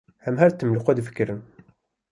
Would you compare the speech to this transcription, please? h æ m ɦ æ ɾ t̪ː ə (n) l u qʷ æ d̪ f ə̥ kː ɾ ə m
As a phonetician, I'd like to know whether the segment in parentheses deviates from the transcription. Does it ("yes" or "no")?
yes